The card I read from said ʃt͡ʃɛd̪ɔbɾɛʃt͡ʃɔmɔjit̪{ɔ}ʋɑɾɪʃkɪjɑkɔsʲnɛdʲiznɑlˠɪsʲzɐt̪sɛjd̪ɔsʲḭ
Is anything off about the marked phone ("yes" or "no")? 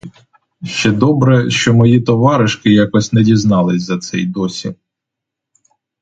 no